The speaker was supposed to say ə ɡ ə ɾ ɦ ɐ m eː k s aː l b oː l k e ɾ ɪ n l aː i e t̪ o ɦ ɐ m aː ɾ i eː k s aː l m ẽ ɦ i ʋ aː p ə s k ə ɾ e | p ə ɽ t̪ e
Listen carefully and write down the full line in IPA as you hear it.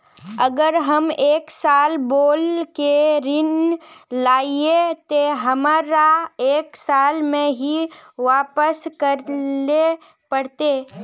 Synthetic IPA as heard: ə ɡ ə ɾ ɦ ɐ m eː k s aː l b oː l k e ɾ ɪ n l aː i e t̪ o ɦ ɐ m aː ɾ a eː k s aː l m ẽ ɦ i ʋ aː p ə s k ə ɾ e | p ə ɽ t̪ e